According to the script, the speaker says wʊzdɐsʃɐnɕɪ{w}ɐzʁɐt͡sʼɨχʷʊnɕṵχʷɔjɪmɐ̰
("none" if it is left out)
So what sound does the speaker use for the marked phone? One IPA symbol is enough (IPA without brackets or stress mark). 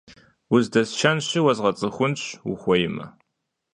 w